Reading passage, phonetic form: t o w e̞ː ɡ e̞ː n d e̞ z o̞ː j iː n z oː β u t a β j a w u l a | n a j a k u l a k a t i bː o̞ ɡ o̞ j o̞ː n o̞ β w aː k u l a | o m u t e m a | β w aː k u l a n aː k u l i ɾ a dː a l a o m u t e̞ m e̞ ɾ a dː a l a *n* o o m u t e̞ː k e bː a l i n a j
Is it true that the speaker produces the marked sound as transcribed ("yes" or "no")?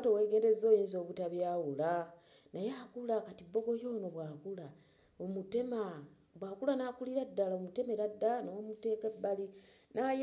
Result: yes